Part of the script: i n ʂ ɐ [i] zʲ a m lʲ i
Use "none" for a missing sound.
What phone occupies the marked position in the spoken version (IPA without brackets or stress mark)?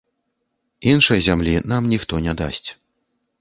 j